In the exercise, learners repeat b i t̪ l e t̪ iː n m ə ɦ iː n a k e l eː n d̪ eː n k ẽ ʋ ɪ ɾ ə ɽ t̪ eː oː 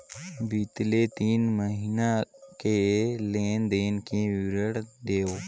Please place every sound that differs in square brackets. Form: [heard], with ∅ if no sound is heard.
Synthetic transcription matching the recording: b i t̪ l e t̪ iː n m ə ɦ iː n a k e l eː n d̪ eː n k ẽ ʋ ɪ ɾ ə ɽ [d̪] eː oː

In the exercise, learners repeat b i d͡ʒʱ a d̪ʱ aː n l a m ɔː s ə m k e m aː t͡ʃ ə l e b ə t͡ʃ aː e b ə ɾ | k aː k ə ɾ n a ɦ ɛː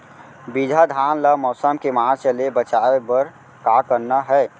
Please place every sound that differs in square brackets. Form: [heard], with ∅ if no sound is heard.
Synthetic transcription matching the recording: b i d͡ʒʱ a d̪ʱ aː n l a m ɔː s ə m k e m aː t͡ʃ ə l e b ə t͡ʃ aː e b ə ɾ | k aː k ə ɾ n a ɦ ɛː

